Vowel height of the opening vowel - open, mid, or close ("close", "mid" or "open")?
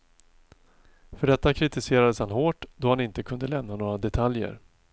mid